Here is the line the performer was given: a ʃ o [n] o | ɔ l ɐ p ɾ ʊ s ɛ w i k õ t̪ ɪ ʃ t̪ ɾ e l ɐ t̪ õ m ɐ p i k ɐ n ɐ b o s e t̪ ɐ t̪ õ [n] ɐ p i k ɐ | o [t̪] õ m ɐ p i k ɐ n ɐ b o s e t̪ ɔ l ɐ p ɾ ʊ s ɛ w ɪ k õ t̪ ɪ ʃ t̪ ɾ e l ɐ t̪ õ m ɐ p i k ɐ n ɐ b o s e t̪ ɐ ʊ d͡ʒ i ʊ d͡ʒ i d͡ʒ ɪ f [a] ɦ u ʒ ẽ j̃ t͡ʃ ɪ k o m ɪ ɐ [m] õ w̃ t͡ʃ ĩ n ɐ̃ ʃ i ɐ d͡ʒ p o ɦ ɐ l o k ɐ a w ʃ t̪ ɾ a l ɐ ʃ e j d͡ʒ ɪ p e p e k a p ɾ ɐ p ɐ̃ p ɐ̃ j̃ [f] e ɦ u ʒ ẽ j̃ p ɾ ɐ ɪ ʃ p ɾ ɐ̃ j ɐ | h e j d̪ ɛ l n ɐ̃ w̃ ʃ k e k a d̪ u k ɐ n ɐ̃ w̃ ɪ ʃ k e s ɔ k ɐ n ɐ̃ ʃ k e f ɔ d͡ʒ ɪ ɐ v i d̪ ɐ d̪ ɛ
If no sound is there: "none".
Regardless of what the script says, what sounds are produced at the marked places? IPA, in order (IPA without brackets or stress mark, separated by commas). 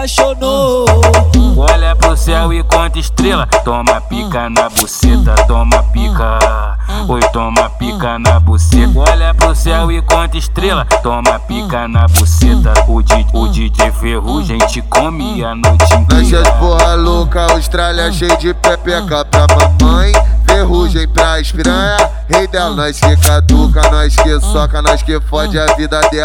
n, m, t̪, e, n, f